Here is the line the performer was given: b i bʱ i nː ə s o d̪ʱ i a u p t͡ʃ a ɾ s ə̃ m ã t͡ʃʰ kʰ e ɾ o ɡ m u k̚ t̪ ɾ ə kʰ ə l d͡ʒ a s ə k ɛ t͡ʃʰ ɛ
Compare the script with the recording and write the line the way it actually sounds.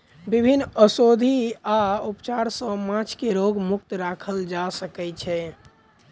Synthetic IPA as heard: b i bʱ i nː ə s o d̪ʱ i a u p t͡ʃ a ɾ s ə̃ m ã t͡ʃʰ k e ɾ o ɡ m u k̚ t̪ ɾ a kʰ ə l d͡ʒ a s ə k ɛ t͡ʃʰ ɛ